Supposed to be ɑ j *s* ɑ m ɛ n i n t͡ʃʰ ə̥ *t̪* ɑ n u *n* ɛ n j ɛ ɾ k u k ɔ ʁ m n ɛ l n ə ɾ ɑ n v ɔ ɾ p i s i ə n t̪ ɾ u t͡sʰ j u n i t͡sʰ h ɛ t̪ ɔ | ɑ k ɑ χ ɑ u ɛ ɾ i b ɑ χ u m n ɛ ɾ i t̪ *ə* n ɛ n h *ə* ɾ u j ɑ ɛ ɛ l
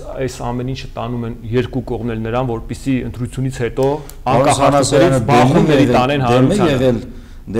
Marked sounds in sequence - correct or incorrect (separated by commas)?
correct, correct, incorrect, incorrect, incorrect